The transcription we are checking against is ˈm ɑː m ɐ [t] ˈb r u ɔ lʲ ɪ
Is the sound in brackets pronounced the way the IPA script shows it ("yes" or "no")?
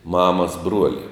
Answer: no